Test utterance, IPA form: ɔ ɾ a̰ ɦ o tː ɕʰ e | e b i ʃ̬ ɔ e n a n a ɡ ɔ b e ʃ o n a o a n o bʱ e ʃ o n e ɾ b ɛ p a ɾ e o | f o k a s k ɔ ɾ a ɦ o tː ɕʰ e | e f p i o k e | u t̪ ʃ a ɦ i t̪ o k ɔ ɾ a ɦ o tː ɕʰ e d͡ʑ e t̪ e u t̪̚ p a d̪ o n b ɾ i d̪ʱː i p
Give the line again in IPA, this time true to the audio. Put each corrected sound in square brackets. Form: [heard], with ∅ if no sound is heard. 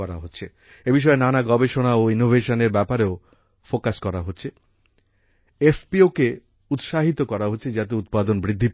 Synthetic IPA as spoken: ɔ ɾ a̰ ɦ o tː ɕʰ e | e b i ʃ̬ ɔ e n a n a ɡ ɔ b e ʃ o n a o [i] n o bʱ e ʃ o n e ɾ b ɛ p a ɾ e o | f o k a s k ɔ ɾ a ɦ o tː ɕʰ e | e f p i o k e | u t̪ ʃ a ɦ i t̪ o k ɔ ɾ a ɦ o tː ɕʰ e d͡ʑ [a] t̪ e u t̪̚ p a d̪ o n b ɾ i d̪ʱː i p